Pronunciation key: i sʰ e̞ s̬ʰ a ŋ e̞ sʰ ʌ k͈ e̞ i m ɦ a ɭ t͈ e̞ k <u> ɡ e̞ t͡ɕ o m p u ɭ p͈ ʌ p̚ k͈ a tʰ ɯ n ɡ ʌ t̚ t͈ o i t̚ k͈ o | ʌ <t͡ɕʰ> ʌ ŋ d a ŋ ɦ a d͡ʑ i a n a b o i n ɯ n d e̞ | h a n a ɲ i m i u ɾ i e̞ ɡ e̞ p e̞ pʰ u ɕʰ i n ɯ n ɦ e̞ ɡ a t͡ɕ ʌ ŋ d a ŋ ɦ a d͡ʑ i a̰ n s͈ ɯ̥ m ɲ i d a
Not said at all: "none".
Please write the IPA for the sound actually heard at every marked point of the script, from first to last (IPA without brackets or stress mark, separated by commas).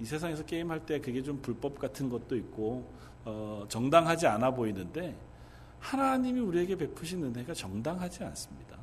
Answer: ɯ, t͡ɕ